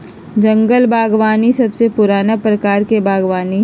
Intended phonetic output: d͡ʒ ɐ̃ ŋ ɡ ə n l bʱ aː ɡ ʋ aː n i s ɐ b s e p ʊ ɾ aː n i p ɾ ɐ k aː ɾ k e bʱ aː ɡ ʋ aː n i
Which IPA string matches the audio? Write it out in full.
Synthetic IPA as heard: d͡ʒ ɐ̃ ŋ ɡ ə l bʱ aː ɡ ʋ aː n i s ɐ b s e p ʊ ɾ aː n a p ɾ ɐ k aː ɾ k e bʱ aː ɡ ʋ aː n i